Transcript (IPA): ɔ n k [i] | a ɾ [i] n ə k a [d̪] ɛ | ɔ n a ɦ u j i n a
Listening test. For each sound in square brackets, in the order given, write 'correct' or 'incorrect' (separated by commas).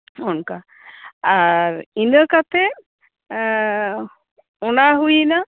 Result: incorrect, correct, incorrect